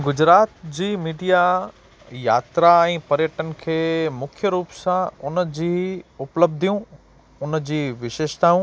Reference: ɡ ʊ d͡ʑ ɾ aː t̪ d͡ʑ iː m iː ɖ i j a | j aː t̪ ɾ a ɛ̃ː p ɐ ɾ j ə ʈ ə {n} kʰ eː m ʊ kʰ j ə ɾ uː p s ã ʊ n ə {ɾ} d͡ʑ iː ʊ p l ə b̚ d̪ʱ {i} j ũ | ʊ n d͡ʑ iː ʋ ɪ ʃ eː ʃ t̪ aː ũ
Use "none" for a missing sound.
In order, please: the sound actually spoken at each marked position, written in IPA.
n, none, i

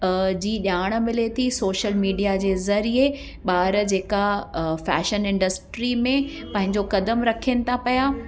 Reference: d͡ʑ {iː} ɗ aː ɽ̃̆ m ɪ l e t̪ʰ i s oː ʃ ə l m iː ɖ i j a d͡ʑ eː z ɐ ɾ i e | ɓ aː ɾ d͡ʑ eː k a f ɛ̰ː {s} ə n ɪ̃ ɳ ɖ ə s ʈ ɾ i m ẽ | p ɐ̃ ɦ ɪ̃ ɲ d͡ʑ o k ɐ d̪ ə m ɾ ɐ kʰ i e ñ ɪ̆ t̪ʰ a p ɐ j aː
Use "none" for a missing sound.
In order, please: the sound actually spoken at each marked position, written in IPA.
iː, ʃ

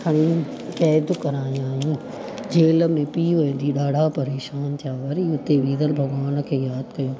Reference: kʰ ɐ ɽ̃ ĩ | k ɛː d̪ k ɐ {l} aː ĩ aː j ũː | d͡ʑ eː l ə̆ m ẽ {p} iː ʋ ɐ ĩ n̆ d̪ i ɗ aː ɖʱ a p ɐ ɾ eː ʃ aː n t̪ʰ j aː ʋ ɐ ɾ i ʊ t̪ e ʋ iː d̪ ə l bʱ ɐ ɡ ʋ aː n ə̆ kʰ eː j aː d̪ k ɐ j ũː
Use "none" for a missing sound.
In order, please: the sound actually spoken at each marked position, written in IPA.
ɾ, p

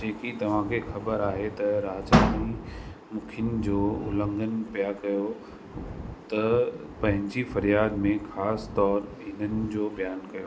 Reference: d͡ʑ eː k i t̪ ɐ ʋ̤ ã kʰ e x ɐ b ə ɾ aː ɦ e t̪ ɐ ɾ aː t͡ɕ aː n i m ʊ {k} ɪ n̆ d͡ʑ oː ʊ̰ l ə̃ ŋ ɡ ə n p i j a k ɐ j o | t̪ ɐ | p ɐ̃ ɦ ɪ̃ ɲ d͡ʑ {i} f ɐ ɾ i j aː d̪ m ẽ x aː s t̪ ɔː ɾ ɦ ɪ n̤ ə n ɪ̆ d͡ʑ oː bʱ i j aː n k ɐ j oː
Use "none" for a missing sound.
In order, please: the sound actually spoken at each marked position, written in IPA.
kʰ, i

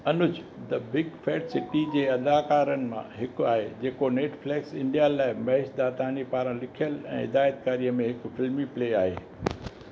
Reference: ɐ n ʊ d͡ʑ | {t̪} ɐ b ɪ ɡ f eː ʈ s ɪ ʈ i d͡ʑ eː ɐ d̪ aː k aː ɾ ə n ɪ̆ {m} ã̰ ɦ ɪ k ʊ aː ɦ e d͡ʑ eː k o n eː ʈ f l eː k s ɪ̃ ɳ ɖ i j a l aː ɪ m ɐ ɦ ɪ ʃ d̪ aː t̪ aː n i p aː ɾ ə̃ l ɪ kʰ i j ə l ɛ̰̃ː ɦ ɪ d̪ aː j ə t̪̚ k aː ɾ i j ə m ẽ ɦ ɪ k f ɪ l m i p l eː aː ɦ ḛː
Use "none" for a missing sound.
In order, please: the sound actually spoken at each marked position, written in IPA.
d̪, m

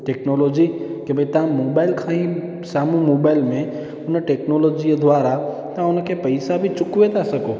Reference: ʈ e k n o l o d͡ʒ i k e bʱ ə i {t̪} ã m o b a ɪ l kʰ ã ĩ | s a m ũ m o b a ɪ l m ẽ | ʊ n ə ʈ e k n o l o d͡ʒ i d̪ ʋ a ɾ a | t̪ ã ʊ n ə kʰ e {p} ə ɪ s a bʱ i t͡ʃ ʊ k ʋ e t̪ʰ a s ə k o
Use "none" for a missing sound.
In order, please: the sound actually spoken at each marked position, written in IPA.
t̪, p

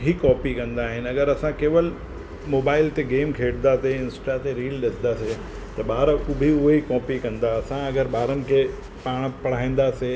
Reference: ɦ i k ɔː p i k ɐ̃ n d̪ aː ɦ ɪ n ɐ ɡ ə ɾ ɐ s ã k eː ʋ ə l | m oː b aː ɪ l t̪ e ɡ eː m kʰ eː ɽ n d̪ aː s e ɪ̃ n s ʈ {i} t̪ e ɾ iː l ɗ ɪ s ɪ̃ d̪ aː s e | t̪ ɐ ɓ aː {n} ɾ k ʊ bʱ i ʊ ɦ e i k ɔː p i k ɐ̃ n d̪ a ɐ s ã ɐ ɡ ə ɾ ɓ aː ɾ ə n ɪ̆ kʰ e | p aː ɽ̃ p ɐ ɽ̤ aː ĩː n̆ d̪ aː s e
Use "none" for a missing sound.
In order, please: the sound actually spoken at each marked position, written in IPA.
a, none

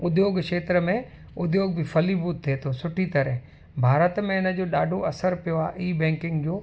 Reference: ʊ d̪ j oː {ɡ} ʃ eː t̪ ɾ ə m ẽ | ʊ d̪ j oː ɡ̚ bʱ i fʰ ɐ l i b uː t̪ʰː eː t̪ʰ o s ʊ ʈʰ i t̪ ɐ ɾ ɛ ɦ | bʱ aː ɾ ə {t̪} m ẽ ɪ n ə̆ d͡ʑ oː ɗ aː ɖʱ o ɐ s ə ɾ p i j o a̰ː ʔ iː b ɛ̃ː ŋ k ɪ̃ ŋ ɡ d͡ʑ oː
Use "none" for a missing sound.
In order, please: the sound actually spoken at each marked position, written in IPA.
ɡ, t̪

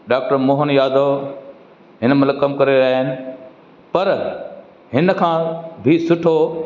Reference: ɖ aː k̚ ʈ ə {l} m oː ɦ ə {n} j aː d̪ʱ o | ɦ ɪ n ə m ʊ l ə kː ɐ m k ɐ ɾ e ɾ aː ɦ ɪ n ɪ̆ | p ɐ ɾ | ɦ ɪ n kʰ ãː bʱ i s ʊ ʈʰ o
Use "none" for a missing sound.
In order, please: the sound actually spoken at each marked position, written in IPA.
ɾ, n

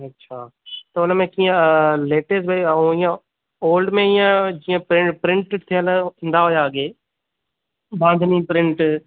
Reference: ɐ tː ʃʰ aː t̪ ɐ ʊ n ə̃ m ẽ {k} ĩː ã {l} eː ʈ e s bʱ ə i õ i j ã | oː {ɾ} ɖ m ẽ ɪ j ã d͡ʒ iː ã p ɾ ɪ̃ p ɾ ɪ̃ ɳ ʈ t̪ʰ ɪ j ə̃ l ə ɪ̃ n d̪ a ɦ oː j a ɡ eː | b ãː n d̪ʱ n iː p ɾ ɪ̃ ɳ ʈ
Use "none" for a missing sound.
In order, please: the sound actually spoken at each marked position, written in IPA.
k, l, l

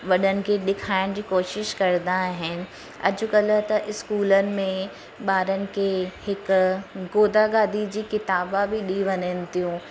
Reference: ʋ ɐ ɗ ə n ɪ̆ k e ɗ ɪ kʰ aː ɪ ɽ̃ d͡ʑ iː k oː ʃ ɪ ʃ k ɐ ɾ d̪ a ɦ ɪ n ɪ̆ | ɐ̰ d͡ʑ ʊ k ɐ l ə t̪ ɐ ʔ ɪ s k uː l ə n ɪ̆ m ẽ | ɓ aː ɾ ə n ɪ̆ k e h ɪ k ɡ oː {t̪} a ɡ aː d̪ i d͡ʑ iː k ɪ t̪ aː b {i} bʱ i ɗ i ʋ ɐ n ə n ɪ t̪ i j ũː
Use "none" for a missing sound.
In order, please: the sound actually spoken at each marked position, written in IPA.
d̪, a

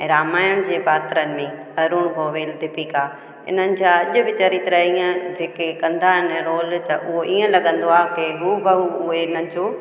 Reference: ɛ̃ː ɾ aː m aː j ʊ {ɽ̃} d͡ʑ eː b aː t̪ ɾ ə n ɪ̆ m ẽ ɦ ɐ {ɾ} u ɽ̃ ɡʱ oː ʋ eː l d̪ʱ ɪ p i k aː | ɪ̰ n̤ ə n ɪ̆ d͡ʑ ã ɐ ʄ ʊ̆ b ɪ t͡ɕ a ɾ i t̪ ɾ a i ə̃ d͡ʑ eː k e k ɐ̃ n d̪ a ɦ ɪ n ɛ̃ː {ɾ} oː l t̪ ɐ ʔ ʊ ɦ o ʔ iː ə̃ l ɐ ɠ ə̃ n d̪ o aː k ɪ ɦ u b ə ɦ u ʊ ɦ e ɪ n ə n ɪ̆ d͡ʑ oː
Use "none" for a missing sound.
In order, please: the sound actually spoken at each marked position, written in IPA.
ɽ̃, ɾ, ɾ

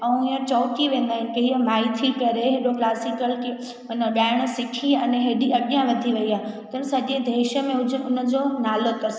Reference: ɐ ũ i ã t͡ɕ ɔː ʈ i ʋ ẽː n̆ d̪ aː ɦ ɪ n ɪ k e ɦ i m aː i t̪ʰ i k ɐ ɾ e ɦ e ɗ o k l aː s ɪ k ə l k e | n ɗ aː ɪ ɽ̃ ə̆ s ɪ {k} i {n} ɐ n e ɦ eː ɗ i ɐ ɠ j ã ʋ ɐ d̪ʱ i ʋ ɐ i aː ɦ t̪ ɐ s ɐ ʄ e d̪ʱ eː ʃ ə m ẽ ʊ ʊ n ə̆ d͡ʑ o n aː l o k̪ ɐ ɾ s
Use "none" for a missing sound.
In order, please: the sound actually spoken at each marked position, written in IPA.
kʰ, none

